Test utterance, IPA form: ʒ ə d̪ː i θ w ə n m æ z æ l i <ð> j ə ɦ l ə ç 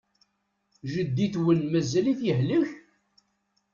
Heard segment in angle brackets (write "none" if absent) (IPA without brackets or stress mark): θ